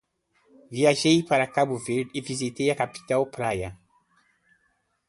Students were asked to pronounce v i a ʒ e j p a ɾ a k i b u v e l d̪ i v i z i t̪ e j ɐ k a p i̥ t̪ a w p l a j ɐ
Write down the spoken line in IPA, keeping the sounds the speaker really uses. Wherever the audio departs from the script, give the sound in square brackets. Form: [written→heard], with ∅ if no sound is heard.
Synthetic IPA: v i a ʒ e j p a ɾ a k [i→a] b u v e [l→ɾ] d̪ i v i z i t̪ e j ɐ k a p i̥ t̪ a w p [l→ɾ] a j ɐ